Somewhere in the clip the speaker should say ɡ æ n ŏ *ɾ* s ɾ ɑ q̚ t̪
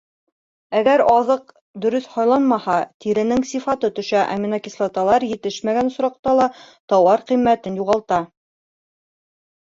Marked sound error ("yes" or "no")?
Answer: yes